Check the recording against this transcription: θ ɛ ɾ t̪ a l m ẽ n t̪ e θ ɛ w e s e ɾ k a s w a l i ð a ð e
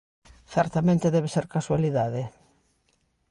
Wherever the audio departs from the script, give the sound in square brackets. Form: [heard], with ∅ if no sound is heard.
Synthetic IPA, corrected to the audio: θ ɛ ɾ t̪ a [∅] m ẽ n t̪ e [ð] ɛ [β] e s e ɾ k a s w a l i ð a ð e